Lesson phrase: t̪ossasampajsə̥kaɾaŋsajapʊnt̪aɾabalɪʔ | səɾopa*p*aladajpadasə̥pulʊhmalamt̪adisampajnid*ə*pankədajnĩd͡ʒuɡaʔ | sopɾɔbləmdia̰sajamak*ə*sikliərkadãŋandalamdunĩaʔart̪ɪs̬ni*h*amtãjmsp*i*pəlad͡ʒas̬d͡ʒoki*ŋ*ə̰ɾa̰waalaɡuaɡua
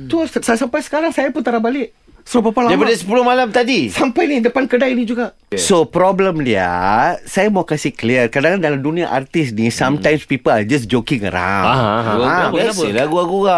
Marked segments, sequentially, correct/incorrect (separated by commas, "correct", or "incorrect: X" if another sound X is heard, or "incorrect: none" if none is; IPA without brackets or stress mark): correct, correct, incorrect: a, incorrect: s, correct, correct